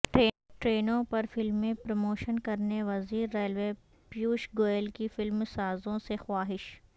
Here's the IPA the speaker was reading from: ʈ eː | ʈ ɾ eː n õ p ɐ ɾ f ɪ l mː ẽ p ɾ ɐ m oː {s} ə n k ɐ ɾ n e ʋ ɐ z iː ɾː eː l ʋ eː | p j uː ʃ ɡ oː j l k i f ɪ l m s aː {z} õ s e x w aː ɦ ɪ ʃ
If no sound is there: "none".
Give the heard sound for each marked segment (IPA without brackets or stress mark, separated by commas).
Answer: ʃ, z